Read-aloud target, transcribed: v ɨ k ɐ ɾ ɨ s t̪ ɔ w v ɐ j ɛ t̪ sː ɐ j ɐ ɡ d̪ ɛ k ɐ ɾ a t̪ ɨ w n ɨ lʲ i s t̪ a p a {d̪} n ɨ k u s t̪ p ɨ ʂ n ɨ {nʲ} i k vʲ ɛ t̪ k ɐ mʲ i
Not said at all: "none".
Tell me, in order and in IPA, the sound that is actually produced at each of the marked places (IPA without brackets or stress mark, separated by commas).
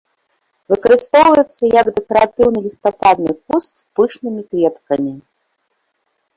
d̪, mʲ